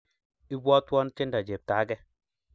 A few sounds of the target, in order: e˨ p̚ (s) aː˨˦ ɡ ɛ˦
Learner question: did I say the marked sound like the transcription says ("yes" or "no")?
no